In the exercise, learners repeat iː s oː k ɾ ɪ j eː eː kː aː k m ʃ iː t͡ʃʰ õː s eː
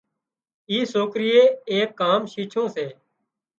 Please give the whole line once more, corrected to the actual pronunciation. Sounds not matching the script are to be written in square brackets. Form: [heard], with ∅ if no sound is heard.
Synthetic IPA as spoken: iː s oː k ɾ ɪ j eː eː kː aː [∅] m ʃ iː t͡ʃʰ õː s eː

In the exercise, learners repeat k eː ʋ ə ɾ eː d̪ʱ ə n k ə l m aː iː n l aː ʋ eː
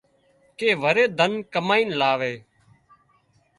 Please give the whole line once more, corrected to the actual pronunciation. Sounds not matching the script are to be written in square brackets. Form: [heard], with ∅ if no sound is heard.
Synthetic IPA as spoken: k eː ʋ ə ɾ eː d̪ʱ ə n k ə [∅] m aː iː n l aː ʋ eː

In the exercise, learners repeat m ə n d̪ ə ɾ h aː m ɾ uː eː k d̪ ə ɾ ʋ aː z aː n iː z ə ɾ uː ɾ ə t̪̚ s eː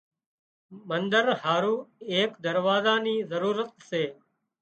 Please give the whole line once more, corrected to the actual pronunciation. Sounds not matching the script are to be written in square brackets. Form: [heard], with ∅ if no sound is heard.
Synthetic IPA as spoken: m ə n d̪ ə ɾ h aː [∅] ɾ uː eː k d̪ ə ɾ ʋ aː z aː n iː z ə ɾ uː ɾ ə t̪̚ s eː

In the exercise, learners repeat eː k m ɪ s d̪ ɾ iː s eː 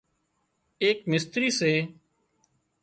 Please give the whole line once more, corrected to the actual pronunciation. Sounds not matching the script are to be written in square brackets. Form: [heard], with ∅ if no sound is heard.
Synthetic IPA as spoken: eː k m ɪ s [t̪] ɾ iː s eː

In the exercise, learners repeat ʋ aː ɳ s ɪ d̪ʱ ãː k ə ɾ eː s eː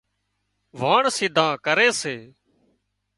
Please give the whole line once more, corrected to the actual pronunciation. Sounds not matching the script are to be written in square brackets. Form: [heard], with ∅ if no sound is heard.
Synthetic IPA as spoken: ʋ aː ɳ s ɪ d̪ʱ ãː k ə ɾ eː s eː

